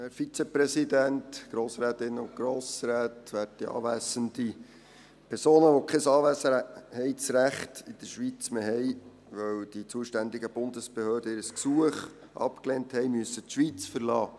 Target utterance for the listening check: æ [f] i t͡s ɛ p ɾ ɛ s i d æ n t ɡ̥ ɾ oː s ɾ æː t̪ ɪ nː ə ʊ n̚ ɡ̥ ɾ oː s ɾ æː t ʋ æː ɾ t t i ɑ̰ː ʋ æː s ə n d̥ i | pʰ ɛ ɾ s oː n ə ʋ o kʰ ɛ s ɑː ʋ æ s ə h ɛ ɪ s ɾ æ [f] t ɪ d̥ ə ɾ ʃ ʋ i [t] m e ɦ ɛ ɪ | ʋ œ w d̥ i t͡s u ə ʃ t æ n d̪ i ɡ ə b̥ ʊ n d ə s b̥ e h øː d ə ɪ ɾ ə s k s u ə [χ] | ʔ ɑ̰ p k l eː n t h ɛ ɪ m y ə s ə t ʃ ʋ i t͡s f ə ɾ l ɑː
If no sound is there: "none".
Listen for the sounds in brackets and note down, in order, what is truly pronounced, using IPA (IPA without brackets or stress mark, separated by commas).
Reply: f, χ, t͡s, χ